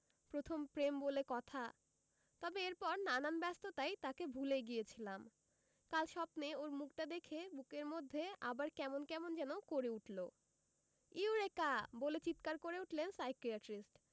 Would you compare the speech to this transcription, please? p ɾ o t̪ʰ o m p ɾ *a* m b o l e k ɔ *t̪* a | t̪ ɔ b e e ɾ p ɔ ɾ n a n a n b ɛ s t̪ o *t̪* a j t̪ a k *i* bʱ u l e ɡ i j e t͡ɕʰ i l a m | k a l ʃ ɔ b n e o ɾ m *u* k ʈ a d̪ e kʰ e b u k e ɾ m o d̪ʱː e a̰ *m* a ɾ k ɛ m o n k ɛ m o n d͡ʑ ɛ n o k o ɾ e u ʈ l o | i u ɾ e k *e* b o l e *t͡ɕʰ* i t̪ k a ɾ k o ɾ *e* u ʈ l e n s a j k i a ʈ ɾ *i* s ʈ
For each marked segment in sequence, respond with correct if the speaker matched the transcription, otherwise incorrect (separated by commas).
incorrect, incorrect, correct, incorrect, correct, incorrect, incorrect, incorrect, correct, correct